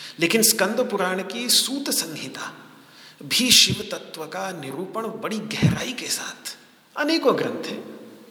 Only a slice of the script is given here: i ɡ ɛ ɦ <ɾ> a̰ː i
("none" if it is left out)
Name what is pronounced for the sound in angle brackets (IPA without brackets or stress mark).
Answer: ɾ